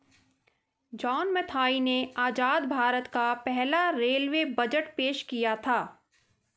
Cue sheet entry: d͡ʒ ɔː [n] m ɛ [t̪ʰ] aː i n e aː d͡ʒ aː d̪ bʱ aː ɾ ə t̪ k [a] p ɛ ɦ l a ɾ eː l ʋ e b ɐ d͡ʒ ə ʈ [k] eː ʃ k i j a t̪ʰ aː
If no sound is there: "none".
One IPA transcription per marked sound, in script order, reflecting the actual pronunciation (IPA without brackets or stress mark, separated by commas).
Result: n, t̪ʰ, a, p